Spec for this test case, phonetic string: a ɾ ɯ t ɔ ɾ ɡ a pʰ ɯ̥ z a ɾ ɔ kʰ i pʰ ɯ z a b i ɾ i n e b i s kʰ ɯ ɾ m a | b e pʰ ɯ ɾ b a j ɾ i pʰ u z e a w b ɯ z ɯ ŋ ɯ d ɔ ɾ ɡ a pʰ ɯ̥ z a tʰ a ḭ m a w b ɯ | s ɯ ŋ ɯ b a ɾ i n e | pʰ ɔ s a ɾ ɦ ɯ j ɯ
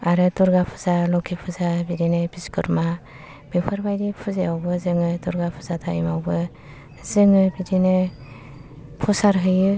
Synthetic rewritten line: a ɾ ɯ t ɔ ɾ ɡ a pʰ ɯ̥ z a l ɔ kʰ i pʰ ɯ z a b i ɾ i n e b i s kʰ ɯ ɾ m a | b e pʰ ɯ ɾ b a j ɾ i pʰ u z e a w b ɯ z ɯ ŋ ɯ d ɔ ɾ ɡ a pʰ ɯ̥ z a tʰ a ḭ m a w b ɯ | z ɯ ŋ ɯ b i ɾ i n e | pʰ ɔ s a ɾ ɦ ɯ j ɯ